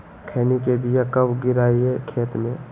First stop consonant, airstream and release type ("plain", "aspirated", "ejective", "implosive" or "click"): aspirated